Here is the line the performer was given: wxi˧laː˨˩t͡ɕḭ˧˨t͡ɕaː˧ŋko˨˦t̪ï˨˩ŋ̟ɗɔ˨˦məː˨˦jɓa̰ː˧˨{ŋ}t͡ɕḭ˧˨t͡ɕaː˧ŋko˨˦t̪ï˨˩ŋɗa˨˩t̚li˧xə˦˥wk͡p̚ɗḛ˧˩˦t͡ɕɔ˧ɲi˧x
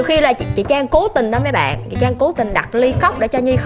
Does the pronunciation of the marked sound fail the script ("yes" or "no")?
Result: yes